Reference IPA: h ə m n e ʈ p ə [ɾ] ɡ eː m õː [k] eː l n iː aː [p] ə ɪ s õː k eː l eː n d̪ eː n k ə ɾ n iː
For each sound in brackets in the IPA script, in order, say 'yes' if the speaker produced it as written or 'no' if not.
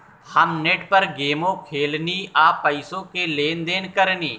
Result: yes, no, yes

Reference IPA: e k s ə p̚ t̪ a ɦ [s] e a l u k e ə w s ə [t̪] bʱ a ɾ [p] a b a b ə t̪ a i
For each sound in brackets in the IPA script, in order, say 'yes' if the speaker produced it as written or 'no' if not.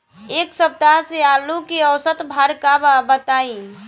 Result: yes, yes, no

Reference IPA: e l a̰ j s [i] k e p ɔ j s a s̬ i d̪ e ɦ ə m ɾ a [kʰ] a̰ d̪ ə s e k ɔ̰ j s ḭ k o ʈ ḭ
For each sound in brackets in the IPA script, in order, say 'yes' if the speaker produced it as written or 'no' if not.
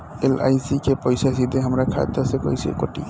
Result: yes, yes

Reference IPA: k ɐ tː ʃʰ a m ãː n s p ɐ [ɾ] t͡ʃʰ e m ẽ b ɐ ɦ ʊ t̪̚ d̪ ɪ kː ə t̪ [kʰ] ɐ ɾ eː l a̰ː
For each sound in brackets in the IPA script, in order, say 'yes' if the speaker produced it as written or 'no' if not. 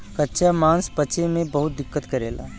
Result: no, no

